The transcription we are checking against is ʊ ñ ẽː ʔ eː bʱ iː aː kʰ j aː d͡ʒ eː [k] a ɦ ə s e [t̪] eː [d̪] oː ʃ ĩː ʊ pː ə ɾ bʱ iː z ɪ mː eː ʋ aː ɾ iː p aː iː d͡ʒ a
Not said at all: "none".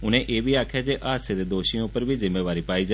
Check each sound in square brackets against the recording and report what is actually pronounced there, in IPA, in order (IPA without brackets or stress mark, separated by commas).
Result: ʔ, d̪, d̪